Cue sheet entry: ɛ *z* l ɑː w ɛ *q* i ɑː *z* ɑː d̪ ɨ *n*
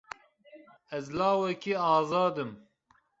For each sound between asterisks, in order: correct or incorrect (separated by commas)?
correct, incorrect, correct, incorrect